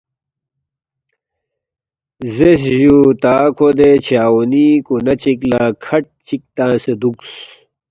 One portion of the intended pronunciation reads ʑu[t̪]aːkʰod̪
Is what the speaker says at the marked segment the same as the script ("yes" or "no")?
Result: yes